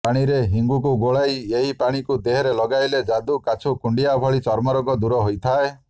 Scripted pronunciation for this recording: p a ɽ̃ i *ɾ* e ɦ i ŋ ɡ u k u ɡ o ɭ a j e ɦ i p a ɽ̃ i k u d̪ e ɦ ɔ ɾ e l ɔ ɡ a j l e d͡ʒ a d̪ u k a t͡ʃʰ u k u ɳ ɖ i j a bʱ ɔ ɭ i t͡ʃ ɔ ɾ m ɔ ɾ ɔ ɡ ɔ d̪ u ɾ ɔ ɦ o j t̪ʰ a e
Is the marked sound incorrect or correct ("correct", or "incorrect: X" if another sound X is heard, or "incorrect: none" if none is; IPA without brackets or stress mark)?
correct